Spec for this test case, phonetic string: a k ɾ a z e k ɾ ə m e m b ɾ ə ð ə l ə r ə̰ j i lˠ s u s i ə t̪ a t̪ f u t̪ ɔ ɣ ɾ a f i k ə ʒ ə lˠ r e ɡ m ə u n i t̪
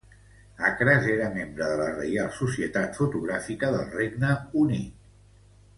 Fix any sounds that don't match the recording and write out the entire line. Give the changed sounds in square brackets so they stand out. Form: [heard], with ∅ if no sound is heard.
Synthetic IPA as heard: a k ɾ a z e [∅] ɾ ə m e m b ɾ ə ð ə l ə r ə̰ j [a] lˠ s u s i ə t̪ a t̪ f u t̪ [u] ɣ ɾ a f i k ə [ð] ə lˠ r e ɡ [n] ə u n i t̪